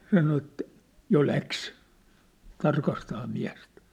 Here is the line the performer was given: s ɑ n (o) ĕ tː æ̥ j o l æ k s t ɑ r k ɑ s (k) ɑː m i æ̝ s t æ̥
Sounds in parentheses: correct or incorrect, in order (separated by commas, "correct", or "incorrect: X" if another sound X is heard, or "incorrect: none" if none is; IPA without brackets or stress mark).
correct, incorrect: t